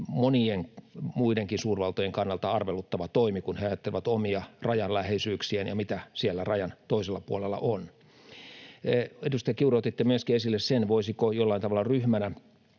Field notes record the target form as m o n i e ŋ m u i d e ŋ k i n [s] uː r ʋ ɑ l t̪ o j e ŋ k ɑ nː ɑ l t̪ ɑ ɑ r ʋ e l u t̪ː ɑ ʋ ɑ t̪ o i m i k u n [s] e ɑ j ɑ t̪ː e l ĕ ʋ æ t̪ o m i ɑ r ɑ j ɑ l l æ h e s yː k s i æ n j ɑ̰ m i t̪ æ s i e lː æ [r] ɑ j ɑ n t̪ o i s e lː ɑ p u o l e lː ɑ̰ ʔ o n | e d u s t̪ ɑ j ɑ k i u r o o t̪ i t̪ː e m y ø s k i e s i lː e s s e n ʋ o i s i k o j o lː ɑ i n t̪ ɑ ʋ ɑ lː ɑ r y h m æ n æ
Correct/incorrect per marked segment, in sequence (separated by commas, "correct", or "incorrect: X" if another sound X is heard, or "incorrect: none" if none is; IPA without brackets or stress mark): correct, incorrect: h, correct